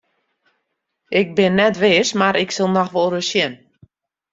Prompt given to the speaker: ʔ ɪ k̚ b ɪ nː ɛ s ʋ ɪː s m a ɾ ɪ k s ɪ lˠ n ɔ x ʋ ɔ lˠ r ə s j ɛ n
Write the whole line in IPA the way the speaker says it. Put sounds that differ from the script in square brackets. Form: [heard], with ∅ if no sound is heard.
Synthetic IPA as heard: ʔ ɪ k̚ b ɪ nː ɛ [t] ʋ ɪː s m a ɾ ɪ k s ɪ lˠ n ɔ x ʋ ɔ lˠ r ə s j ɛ n